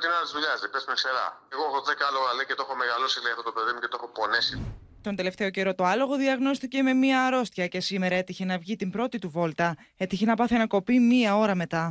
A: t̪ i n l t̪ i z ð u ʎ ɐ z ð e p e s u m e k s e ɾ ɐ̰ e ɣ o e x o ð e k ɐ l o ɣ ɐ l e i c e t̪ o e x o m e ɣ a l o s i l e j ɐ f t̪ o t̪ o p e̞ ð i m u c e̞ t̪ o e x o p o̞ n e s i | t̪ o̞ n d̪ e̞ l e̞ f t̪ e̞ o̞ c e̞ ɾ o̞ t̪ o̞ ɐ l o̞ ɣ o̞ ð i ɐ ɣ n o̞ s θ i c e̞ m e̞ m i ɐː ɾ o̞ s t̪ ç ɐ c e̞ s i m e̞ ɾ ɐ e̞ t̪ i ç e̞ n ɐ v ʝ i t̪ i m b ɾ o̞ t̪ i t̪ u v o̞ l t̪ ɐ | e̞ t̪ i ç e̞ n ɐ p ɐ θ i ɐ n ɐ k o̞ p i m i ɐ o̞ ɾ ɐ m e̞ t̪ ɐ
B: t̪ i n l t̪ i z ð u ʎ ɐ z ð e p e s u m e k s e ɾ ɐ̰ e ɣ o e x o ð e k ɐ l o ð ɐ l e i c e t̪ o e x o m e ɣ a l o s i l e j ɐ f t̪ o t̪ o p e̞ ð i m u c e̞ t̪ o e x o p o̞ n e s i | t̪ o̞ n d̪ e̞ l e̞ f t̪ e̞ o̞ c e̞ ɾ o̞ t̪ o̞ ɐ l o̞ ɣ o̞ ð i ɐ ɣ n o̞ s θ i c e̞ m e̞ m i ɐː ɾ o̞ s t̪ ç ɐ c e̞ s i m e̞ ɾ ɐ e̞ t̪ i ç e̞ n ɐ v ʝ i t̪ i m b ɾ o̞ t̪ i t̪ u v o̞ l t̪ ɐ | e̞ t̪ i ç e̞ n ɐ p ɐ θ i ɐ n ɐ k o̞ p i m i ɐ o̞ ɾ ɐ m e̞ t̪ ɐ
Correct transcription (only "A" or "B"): A